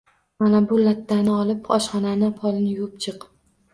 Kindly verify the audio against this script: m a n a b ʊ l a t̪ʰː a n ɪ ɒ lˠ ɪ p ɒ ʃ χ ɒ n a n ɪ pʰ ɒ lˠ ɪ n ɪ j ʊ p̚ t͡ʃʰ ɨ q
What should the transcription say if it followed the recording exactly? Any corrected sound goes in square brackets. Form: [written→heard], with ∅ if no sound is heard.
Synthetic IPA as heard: m a n a b ʊ l a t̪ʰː a n ɪ ɒ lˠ ɪ p ɒ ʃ χ ɒ n a n ɪ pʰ ɒ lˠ ɪ n ɪ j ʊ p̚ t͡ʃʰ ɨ q